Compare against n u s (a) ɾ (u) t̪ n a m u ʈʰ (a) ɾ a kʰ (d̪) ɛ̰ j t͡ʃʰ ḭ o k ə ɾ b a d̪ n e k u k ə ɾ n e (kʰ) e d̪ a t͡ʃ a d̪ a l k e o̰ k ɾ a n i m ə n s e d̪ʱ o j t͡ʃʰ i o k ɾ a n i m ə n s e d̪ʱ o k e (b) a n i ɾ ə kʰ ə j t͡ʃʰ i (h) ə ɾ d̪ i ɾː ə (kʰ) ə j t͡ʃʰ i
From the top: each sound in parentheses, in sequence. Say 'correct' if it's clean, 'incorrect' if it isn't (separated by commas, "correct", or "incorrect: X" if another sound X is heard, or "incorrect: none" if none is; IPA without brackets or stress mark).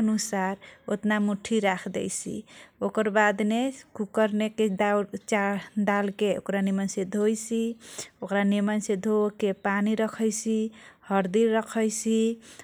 correct, incorrect: o, incorrect: i, correct, incorrect: k, incorrect: p, correct, correct